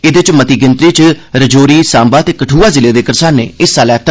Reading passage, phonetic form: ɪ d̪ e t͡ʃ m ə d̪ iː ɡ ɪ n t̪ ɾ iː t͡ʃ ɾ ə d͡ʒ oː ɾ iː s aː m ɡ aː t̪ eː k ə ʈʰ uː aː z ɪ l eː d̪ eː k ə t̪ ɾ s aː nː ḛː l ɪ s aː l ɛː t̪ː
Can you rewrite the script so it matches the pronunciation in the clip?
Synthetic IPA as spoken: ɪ d̪ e t͡ʃ m ə t̪ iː ɡ ɪ n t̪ ɾ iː t͡ʃ ɾ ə d͡ʒ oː ɾ iː s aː m b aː t̪ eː k ə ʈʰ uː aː z ɪ l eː d̪ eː k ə ɾ s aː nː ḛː ɪ s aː l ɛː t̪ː